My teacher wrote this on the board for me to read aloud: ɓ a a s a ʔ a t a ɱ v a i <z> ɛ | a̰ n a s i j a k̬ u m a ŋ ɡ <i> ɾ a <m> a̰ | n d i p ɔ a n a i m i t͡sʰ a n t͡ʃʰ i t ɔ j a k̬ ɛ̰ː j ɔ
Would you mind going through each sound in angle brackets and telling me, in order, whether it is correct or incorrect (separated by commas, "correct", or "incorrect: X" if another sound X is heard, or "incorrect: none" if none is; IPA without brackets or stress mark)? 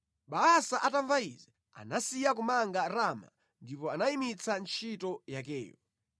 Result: correct, incorrect: a, correct